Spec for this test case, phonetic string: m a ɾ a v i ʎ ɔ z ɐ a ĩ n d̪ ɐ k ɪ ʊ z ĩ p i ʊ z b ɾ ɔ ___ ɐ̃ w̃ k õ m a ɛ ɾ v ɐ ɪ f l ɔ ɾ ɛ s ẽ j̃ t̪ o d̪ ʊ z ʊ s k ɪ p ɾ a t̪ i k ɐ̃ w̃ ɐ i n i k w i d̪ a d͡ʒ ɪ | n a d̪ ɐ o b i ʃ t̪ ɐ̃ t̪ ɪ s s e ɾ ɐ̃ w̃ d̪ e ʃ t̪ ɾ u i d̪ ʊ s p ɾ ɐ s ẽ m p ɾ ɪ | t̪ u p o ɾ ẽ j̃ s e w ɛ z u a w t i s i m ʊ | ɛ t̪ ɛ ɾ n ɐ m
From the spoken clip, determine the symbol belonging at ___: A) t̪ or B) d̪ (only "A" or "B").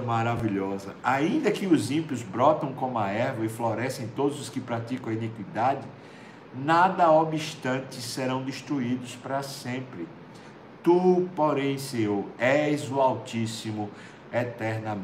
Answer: A